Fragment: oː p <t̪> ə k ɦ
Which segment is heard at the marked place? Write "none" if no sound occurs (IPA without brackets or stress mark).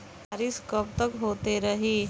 t̪